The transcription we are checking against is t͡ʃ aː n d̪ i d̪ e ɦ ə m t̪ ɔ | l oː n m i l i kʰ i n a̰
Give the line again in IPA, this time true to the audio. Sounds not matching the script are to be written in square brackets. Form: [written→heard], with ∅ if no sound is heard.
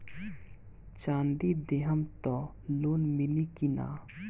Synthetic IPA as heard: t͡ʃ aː n d̪ i d̪ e ɦ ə m t̪ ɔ | l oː n m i l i [kʰ→k] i n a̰